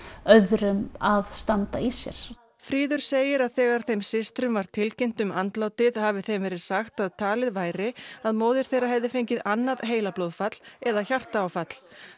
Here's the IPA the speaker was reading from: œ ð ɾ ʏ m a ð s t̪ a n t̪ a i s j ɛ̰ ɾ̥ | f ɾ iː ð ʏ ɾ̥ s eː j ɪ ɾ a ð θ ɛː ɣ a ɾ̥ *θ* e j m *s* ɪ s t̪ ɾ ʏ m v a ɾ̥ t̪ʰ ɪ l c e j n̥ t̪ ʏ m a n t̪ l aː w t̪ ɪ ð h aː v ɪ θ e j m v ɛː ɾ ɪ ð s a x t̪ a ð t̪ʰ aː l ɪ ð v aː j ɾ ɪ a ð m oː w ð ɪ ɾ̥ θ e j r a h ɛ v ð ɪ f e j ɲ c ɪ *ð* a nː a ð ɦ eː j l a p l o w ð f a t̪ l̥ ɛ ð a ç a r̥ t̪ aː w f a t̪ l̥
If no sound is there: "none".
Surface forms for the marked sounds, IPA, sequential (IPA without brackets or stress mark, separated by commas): θ, s, ð